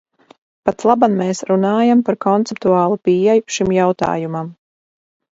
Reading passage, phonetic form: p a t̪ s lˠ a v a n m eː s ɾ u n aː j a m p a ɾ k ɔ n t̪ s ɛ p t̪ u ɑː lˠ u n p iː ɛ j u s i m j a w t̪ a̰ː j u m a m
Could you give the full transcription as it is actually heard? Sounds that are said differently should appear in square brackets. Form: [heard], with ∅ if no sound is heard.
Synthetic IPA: p a t̪ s lˠ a [b] a n m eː s ɾ u n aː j a m p a ɾ k ɔ n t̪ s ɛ p t̪ u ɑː lˠ u [∅] p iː ɛ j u [ʃ] i m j a w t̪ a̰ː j u m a m